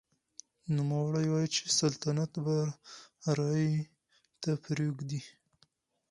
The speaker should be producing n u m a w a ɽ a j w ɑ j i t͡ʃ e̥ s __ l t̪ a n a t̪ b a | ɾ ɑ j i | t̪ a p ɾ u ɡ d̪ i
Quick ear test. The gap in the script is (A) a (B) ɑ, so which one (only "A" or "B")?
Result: A